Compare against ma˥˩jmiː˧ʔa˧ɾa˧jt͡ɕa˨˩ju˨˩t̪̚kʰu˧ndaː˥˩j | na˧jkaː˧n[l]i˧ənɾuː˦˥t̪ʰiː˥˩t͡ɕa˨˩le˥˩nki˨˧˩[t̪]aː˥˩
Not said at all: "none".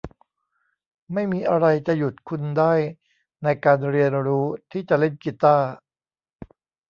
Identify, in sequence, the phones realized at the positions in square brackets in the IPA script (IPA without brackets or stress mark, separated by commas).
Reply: ɾ, t̪